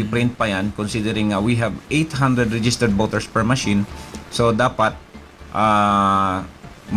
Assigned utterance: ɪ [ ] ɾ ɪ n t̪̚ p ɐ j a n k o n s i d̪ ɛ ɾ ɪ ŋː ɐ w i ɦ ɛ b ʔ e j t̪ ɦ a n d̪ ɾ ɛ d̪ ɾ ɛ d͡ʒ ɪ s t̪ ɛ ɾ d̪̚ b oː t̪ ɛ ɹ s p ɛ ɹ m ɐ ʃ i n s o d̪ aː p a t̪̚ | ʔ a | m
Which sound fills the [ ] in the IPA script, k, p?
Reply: p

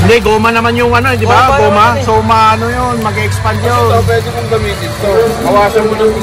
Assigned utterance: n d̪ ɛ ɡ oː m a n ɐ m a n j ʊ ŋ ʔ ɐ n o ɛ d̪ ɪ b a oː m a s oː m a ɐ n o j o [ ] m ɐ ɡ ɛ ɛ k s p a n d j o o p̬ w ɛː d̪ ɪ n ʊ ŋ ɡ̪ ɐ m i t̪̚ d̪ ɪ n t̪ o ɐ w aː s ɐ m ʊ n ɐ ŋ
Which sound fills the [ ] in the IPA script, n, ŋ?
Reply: n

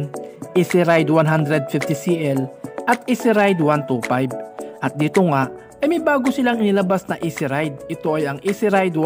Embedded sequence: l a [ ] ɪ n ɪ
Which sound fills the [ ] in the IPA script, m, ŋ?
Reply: ŋ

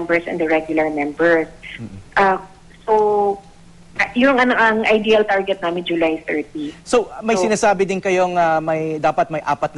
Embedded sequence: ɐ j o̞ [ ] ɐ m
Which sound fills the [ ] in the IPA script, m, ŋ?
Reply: ŋ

